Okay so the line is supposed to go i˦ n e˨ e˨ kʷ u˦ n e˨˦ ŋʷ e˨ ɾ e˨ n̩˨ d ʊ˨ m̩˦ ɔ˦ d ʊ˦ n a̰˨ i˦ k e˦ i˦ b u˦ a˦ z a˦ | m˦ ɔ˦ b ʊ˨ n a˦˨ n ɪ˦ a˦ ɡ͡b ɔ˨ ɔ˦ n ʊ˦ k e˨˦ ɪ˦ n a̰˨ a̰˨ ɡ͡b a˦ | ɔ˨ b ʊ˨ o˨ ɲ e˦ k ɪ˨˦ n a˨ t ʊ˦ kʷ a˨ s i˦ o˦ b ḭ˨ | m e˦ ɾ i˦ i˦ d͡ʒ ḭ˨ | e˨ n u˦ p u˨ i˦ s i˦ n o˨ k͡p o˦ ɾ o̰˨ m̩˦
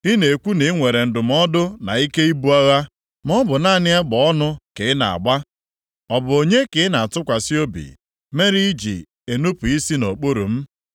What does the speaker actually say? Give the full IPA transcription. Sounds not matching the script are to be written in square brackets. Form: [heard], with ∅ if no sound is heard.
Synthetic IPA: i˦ n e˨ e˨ kʷ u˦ n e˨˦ ŋʷ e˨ ɾ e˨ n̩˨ d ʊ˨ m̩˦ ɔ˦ d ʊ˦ n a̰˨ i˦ k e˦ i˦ b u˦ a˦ [ɣ] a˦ | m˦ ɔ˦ b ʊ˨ n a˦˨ n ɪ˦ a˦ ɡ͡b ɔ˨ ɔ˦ n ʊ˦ k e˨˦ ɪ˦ n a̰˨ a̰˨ ɡ͡b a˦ | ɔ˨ b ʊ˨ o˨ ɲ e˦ k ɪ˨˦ n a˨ t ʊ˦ kʷ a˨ s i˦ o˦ b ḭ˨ | m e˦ ɾ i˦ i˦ d͡ʒ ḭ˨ | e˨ n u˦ p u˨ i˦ s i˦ n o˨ k͡p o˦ ɾ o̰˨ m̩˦

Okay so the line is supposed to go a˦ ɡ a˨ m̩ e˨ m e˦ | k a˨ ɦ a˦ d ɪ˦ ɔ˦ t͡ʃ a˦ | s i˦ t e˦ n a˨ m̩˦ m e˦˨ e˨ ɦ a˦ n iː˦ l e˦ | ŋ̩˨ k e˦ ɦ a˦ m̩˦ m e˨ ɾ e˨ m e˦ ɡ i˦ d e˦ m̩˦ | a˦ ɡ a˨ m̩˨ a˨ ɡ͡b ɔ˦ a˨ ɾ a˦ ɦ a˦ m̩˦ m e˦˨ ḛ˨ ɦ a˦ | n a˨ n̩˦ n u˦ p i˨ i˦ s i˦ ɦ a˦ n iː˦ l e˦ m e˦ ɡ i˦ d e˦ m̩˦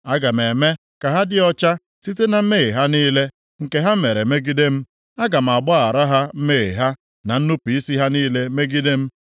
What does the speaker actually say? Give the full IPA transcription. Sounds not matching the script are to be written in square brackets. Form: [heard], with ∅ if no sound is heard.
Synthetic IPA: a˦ ɡ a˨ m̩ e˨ m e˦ | k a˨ ɦ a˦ d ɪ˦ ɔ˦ t͡ʃ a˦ | s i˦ t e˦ n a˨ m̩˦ m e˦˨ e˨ ɦ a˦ n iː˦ l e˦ | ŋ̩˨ k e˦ ɦ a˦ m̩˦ m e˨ ɾ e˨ m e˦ ɡ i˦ d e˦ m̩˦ | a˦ ɡ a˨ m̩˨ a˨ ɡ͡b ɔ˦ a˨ ɾ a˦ ɦ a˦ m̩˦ m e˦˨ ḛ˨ ɦ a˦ | n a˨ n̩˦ n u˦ p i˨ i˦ s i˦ ɦ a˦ n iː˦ l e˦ m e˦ ɡ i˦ d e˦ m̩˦

